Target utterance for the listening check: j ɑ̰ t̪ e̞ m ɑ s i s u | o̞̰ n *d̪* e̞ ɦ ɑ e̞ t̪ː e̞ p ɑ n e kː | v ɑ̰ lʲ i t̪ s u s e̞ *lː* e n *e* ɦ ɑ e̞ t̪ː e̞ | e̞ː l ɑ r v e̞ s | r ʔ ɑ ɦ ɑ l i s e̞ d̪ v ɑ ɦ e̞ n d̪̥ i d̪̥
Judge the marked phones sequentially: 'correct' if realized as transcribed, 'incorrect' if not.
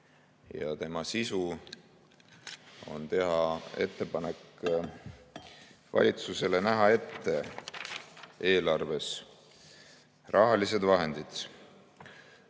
incorrect: t̪, incorrect: l, incorrect: æ

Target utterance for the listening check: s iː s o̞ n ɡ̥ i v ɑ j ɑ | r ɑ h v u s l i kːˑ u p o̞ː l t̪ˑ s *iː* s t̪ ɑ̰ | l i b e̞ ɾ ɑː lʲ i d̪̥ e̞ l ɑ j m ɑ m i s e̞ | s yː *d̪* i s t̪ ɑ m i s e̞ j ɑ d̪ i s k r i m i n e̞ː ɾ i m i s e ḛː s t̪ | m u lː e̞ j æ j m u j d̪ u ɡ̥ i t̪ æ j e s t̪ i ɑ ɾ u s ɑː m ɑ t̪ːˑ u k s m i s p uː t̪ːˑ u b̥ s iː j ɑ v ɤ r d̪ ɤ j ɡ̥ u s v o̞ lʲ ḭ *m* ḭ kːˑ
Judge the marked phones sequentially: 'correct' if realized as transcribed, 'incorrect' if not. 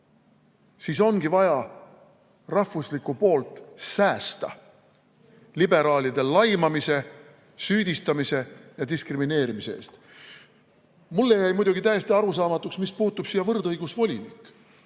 incorrect: æː, correct, incorrect: n

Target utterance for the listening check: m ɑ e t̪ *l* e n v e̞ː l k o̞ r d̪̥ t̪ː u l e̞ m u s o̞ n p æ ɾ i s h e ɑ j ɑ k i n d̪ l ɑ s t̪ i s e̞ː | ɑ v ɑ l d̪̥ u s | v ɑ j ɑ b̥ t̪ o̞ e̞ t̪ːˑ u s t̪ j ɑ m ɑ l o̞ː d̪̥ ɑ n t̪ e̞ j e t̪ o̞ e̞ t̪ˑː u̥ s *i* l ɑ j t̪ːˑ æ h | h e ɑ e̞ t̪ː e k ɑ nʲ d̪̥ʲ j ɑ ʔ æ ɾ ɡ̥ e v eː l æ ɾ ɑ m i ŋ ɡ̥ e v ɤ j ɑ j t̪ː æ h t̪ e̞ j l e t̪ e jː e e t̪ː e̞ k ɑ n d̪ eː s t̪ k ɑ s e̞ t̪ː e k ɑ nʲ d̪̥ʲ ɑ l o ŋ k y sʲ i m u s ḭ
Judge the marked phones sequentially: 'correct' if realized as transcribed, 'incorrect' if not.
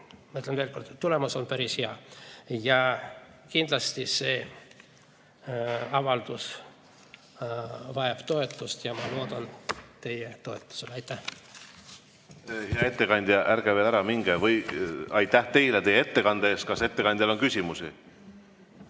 correct, incorrect: e

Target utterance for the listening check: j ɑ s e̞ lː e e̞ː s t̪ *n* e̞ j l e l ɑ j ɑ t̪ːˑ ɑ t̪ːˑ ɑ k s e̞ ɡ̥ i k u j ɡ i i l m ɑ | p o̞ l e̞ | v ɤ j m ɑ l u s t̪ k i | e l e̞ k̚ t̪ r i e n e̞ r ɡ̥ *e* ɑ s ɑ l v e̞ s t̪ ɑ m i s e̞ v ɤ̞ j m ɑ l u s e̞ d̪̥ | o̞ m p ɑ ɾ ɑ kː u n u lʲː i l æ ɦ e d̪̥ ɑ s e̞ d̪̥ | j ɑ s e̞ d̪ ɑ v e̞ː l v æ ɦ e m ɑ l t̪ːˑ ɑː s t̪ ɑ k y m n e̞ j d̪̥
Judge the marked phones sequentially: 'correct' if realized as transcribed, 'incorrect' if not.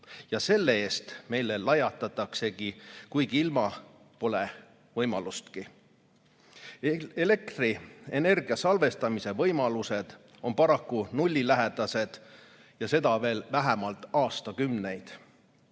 incorrect: m, incorrect: i

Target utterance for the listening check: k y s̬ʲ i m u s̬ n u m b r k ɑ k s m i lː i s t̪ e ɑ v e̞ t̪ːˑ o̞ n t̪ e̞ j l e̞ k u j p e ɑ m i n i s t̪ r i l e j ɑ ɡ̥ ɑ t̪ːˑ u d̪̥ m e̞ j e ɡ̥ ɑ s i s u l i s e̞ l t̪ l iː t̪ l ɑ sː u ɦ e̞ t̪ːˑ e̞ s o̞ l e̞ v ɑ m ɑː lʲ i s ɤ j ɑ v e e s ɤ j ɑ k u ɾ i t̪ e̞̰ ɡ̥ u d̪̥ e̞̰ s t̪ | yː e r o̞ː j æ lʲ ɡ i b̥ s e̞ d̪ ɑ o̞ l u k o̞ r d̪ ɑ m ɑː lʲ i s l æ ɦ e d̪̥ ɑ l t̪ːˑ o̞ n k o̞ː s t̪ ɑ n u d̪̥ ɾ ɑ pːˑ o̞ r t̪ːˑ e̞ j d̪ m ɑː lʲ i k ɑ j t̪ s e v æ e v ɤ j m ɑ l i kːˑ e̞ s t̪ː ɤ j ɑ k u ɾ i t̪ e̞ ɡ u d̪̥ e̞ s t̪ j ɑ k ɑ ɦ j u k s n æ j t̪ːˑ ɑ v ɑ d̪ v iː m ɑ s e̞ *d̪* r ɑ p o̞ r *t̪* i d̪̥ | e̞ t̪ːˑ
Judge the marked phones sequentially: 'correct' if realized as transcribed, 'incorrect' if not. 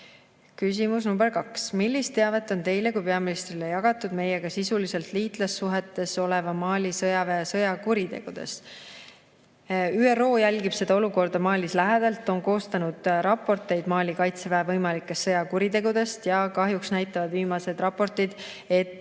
correct, correct

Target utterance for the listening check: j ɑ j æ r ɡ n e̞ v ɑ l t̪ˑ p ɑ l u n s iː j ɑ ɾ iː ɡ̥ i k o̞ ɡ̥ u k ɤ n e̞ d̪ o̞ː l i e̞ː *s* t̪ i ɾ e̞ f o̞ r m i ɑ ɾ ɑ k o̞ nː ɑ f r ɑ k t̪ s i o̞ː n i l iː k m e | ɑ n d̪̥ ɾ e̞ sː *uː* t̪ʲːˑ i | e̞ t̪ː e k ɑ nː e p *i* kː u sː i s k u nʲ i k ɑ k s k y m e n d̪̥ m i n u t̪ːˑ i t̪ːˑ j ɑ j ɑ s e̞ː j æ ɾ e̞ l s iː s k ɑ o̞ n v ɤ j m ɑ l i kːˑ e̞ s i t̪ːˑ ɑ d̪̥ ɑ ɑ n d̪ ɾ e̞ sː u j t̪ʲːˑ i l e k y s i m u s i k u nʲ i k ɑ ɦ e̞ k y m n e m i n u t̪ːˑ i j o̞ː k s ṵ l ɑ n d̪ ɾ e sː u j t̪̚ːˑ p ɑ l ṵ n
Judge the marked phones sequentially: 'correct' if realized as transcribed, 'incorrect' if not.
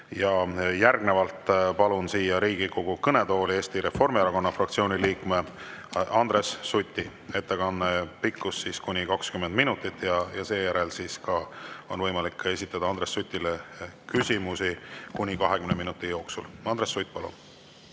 correct, incorrect: u, correct

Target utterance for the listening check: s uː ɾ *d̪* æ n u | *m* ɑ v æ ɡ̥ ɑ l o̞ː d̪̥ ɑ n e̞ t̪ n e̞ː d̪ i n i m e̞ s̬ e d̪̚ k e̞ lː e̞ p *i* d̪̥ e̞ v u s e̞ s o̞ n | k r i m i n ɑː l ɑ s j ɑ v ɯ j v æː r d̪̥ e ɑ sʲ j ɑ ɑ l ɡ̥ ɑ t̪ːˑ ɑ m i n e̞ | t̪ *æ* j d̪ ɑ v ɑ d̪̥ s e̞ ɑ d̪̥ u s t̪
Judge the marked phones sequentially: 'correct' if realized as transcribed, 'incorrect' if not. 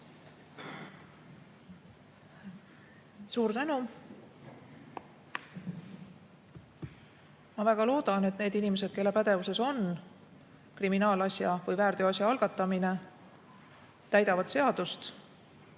incorrect: t̪, correct, incorrect: æ, correct

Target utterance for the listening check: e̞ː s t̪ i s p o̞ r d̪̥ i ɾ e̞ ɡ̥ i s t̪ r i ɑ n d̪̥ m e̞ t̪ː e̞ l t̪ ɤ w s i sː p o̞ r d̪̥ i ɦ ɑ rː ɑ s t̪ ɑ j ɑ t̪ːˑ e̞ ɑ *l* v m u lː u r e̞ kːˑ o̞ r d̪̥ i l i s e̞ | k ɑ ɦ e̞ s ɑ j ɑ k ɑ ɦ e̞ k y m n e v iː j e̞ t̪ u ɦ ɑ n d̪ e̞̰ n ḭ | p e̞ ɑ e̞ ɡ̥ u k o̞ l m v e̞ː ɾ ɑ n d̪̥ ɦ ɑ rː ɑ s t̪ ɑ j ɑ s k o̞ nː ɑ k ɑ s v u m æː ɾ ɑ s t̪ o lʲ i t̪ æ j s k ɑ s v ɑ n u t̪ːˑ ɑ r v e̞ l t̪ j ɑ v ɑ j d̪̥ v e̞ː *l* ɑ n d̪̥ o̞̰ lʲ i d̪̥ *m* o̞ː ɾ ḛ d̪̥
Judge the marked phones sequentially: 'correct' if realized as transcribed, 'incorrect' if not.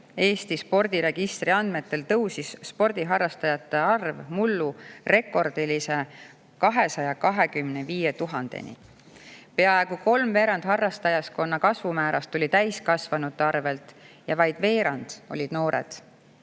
incorrect: r, incorrect: ɾ, incorrect: n

